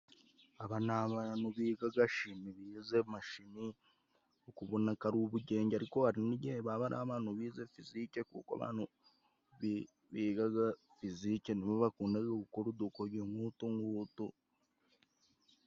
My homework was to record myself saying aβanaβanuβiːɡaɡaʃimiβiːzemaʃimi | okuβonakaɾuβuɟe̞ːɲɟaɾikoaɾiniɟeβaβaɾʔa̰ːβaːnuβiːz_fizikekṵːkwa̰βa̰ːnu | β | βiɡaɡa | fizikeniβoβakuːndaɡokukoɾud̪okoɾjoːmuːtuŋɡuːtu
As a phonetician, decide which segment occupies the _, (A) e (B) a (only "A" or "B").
A